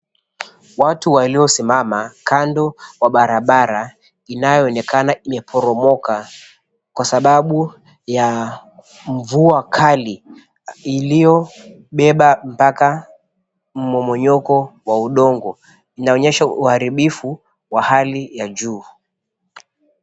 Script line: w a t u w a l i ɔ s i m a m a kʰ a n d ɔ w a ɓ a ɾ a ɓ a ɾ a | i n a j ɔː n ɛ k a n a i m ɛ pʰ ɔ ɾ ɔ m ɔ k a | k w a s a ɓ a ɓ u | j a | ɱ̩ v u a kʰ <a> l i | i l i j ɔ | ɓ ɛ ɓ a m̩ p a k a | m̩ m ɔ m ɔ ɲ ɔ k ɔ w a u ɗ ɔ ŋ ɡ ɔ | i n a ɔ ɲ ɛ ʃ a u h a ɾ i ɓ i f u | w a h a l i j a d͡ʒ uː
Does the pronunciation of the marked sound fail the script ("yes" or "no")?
no